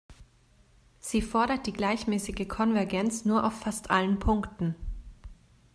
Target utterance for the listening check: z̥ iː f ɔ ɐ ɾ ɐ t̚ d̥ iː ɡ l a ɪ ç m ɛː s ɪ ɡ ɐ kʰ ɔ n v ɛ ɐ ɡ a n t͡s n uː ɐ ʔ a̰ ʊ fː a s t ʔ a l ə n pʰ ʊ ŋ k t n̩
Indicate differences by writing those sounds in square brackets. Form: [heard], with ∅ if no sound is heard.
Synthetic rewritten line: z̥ iː f ɔ ɐ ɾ ɐ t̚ d̥ iː ɡ l a ɪ ç m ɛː s ɪ ɡ [ə] kʰ ɔ n v ɛ ɐ ɡ [ɛ] n t͡s n uː ɐ ʔ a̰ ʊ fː a s t ʔ a l ə n pʰ ʊ ŋ k t n̩

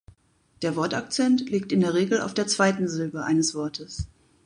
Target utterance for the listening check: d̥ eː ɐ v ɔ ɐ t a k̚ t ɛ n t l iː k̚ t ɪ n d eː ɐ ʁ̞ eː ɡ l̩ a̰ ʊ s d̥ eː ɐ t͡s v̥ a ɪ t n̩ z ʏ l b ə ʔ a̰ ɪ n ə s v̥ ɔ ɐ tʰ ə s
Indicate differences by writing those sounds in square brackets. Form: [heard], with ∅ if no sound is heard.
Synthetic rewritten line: d̥ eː ɐ v ɔ ɐ t a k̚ [t͡s] ɛ n t l iː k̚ t ɪ n d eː ɐ ʁ̞ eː ɡ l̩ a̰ ʊ [f] d̥ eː ɐ t͡s v̥ a ɪ t n̩ z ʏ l b ə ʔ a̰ ɪ n ə s v̥ ɔ ɐ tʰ ə s

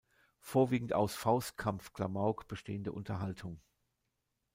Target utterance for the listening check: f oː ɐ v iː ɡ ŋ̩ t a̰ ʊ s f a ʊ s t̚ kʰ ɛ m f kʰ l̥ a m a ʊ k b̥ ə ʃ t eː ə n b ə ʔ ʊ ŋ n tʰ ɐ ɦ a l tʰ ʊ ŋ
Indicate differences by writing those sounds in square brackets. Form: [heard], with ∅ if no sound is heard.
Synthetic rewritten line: f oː ɐ v iː ɡ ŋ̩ t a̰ ʊ s f a ʊ s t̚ kʰ [a] m f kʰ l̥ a m a ʊ k b̥ ə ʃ t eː ə n [d] ə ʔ ʊ [∅] n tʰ ɐ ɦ a l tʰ ʊ ŋ

